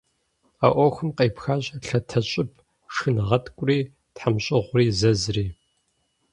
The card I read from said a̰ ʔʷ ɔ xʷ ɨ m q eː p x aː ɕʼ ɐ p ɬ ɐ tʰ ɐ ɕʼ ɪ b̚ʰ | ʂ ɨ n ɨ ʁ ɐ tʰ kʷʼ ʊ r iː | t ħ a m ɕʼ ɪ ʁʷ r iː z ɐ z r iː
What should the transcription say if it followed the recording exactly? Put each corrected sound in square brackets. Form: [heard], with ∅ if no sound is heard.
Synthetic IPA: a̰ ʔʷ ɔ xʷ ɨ m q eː p x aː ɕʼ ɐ [∅] ɬ ɐ tʰ ɐ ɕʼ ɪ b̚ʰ | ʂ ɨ n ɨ ʁ ɐ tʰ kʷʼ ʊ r iː | t ħ a m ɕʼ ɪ ʁʷ r iː z ɐ z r iː